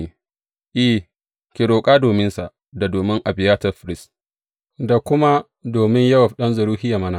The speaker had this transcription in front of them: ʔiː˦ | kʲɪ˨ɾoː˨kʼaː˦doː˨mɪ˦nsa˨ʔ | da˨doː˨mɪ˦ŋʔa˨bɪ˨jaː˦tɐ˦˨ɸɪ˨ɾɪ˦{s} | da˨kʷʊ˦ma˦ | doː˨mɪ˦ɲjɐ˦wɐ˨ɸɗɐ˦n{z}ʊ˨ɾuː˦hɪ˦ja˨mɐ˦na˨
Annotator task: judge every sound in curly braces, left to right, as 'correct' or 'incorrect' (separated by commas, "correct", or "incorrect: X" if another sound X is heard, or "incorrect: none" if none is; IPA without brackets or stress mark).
correct, correct